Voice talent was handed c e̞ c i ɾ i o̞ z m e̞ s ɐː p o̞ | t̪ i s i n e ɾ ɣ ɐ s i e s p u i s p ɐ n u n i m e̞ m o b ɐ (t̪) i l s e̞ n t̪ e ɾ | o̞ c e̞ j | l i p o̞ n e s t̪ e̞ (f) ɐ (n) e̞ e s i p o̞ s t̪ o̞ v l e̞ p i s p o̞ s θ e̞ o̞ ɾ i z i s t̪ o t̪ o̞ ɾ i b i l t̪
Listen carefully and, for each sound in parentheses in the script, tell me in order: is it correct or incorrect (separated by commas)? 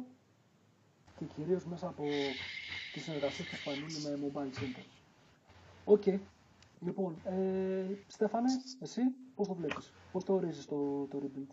incorrect, correct, correct